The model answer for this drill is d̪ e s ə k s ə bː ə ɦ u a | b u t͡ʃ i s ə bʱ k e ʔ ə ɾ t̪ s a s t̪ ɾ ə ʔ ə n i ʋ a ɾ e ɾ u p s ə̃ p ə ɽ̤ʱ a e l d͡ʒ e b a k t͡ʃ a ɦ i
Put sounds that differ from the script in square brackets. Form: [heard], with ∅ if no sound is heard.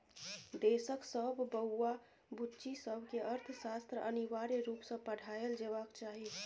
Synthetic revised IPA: d̪ e s ə k s ə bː ə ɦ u a | b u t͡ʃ i s ə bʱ k e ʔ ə ɾ [t̪ʰ] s a s t̪ ɾ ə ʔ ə n i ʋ a ɾ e ɾ u p s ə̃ p ə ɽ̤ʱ a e l d͡ʒ e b a k t͡ʃ a ɦ i

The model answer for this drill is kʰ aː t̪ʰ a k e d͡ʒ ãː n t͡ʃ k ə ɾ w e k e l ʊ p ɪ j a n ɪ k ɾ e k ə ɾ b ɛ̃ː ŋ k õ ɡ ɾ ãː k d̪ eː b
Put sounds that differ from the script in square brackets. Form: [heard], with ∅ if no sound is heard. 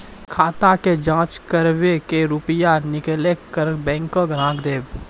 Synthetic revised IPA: kʰ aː [t̪] a k e d͡ʒ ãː [∅] t͡ʃ k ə ɾ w e k e [ɾ] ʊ p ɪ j a n ɪ k [l] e k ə ɾ b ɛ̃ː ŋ k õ ɡ ɾ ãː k d̪ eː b

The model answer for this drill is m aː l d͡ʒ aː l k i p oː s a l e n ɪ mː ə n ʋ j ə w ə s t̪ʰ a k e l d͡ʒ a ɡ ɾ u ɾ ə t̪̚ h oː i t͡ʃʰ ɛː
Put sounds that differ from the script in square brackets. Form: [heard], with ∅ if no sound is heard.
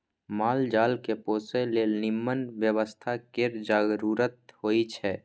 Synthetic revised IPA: m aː l d͡ʒ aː l k [e] p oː s [e] l e n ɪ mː ə n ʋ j ə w ə s t̪ʰ a k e [ɾ] d͡ʒ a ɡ ɾ u ɾ ə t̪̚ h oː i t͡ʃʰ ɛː

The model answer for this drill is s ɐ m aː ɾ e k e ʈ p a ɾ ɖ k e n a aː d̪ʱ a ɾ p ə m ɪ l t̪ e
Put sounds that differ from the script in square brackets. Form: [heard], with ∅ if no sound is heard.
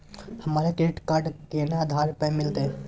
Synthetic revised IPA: [h] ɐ m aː ɾ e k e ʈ [k] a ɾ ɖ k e n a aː d̪ʱ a ɾ p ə m ɪ l t̪ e

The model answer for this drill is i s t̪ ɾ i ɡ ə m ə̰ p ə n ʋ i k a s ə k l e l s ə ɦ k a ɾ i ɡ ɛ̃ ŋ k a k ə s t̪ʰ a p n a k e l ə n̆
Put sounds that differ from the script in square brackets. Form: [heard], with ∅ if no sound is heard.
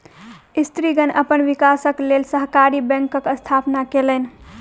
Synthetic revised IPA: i s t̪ ɾ i ɡ ə [n] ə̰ p ə n ʋ i k a s ə k l e l s ə ɦ k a ɾ i [b] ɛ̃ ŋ k [ə] k ə s t̪ʰ a p n a k e l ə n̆

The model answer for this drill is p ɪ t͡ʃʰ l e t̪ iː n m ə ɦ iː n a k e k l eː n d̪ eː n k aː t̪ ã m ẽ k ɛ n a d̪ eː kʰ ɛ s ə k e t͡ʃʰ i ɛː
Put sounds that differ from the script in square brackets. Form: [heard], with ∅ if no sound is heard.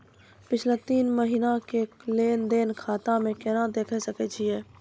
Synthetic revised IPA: p ɪ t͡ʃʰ l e t̪ iː n m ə ɦ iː n a k e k l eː n d̪ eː n [kʰ] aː t̪ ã m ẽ k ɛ n a d̪ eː kʰ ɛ s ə k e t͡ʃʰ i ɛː

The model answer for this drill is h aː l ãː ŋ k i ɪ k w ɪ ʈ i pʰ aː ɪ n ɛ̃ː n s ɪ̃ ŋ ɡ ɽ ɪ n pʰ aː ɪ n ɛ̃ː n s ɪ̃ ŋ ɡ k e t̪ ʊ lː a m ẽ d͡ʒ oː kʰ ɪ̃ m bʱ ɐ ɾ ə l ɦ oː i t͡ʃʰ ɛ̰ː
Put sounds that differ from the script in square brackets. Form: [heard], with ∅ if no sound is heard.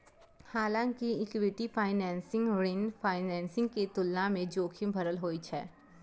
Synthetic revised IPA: h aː l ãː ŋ k i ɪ k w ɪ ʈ i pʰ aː ɪ n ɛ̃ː n s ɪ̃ ŋ ɡ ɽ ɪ n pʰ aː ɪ n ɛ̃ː n s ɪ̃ ŋ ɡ k e t̪ ʊ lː a m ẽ d͡ʒ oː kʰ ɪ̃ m bʱ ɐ ɾ ə l ɦ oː i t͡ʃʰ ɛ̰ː

